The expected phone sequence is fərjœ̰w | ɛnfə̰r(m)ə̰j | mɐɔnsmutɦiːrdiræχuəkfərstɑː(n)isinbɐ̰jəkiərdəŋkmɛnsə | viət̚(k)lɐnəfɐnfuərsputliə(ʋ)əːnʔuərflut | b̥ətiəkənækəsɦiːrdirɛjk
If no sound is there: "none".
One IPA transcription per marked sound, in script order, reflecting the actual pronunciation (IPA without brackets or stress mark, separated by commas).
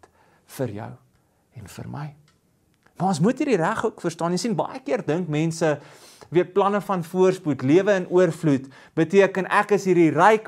m, n, p, v